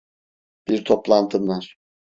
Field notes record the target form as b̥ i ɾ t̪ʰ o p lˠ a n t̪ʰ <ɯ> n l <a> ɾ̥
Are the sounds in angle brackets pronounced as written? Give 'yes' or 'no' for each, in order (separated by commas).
yes, yes